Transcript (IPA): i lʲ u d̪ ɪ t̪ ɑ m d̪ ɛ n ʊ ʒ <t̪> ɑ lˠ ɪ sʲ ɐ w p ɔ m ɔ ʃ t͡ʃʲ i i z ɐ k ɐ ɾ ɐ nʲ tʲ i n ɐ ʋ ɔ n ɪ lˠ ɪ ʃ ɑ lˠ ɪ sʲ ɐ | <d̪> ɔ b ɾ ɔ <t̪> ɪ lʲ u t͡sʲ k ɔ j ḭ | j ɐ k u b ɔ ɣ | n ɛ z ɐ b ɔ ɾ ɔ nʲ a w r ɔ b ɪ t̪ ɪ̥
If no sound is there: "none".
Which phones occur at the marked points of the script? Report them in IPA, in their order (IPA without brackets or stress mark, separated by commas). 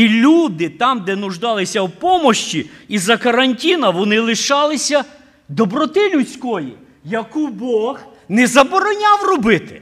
d̪, d̪, t̪